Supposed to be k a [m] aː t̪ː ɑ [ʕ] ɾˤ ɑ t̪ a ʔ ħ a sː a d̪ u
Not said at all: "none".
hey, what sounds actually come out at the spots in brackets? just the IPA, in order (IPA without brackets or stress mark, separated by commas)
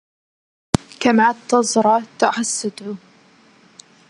m, z